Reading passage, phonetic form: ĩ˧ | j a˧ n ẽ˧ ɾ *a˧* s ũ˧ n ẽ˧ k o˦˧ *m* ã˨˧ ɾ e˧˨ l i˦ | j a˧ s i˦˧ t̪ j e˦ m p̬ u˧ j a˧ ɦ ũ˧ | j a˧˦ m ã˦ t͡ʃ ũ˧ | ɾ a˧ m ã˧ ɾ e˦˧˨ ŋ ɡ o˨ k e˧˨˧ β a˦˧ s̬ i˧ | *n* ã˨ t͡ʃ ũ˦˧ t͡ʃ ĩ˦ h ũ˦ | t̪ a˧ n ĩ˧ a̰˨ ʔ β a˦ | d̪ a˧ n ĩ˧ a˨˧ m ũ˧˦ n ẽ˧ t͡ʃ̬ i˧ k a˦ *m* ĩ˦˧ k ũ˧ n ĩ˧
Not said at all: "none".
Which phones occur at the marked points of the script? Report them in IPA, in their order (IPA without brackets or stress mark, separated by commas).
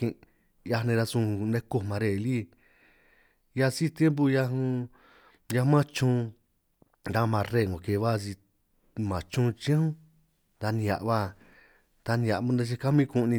a˧, m, m, m